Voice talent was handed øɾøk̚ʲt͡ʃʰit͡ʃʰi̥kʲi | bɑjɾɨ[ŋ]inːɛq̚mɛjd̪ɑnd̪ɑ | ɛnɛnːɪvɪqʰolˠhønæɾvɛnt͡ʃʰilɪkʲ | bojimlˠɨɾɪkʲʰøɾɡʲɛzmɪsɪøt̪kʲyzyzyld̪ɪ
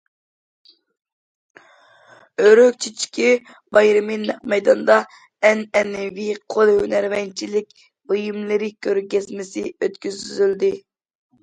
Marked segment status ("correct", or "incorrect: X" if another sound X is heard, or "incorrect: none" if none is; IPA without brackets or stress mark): incorrect: m